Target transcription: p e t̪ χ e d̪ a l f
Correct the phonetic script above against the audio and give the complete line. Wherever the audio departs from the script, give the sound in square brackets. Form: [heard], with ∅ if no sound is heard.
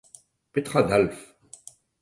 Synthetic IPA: p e t̪ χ [a] d̪ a l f